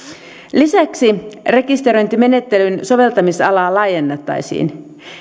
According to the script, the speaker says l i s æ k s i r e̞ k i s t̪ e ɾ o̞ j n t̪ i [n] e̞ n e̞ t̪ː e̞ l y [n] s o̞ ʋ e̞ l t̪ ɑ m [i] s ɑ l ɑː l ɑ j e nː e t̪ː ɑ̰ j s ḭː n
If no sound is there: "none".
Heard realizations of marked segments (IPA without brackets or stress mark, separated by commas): m, n, i